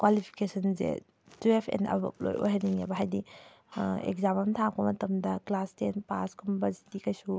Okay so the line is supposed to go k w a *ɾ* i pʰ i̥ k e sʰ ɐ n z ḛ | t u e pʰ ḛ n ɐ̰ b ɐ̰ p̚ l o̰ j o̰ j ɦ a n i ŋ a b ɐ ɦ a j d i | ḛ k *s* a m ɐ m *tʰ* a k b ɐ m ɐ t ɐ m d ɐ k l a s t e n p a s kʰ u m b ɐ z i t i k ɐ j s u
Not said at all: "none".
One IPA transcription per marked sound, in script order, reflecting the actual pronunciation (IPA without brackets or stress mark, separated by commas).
l, z, tʰ